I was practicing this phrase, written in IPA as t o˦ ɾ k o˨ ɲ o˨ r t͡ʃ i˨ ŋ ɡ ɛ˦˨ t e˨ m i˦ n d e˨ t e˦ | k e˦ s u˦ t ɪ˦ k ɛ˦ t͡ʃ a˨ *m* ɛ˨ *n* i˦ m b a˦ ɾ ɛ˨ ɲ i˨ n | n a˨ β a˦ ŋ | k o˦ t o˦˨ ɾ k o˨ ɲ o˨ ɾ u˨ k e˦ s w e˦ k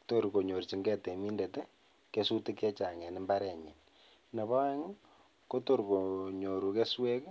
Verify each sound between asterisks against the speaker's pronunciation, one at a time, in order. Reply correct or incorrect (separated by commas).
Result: incorrect, correct